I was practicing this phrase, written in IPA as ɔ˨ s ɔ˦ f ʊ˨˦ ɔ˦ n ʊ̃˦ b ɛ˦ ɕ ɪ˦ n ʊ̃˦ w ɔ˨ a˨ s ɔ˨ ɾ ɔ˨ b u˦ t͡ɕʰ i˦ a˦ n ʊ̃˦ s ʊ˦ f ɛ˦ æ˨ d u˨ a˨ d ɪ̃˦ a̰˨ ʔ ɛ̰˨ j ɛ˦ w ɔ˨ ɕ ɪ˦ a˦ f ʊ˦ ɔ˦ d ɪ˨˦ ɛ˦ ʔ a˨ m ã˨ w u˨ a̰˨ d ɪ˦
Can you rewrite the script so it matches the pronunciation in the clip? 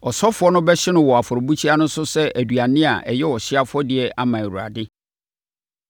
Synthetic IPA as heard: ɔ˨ s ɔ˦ f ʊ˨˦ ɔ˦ n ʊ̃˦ b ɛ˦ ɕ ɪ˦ n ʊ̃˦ w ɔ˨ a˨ f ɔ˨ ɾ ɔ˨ b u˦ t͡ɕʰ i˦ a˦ n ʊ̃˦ s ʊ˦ s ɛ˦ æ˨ d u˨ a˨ n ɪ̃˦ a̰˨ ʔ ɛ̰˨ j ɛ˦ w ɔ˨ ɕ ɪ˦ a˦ f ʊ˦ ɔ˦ d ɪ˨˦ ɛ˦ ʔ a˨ m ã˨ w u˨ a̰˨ d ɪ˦